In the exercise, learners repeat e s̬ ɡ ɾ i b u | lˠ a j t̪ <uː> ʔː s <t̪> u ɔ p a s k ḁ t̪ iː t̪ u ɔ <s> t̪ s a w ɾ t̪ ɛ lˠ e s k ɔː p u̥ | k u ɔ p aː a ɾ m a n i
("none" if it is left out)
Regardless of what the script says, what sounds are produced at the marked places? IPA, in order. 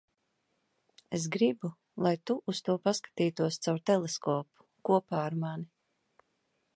u, t̪, s

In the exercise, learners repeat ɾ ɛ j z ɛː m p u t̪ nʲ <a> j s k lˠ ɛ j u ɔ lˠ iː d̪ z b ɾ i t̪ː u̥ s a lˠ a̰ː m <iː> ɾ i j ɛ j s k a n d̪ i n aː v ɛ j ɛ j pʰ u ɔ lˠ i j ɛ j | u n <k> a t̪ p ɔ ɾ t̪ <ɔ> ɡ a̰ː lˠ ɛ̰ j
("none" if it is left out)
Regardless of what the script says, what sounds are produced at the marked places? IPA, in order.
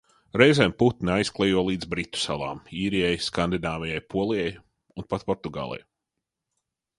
a, iː, p, u

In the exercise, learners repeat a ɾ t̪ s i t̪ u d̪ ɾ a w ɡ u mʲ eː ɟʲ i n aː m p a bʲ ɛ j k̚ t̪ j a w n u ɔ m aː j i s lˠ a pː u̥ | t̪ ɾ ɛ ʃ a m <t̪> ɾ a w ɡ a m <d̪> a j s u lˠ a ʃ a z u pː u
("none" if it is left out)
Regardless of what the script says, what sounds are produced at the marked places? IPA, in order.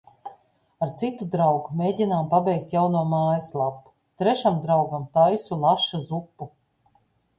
d̪, t̪

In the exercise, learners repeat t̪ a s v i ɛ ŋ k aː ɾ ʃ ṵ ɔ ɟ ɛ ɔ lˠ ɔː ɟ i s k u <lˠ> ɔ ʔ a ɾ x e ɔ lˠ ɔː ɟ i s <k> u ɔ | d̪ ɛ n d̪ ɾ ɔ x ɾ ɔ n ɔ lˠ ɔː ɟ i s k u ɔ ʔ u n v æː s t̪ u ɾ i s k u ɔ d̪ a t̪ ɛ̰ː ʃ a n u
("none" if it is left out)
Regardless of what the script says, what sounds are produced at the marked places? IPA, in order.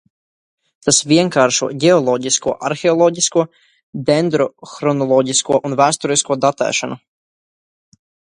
none, k

